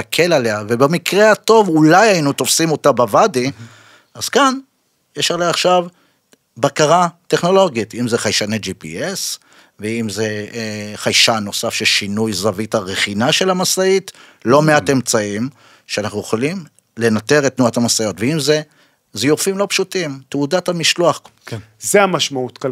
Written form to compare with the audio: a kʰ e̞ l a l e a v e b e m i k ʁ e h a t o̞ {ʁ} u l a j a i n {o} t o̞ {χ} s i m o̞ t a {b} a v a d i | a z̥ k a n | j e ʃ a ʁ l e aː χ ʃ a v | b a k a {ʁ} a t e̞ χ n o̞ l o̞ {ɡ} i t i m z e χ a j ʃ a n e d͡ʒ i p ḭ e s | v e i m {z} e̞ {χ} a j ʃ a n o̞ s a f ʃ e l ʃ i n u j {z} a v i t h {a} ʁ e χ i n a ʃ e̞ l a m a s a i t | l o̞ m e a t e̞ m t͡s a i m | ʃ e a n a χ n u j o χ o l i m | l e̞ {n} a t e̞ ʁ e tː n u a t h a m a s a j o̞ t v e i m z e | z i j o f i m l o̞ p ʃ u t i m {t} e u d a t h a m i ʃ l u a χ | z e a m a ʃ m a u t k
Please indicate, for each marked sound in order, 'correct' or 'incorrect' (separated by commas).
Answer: incorrect, incorrect, incorrect, correct, correct, correct, correct, correct, correct, correct, correct, correct